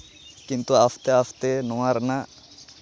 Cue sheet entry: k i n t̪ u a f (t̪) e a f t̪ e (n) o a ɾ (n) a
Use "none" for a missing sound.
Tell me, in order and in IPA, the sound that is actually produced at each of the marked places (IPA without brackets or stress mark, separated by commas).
t̪, n, n